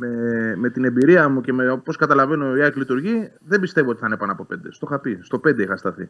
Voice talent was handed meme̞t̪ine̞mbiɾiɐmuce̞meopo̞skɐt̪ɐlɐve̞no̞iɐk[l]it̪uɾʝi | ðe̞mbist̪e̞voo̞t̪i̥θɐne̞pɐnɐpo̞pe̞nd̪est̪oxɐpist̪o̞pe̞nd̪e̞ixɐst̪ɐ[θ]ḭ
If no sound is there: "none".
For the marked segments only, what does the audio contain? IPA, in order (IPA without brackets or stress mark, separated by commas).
l, θ